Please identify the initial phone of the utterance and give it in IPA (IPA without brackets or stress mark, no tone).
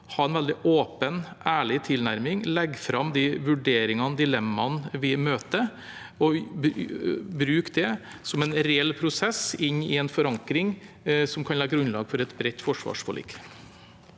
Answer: h